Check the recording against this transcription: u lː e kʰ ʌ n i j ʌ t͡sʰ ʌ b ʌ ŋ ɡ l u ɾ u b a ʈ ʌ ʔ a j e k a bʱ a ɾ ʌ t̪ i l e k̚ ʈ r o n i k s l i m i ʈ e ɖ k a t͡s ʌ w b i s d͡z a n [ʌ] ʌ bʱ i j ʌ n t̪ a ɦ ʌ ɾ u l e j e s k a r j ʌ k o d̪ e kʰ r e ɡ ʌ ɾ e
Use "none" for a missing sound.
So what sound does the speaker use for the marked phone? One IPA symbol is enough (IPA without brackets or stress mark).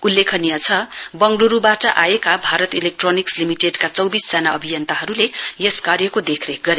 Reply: a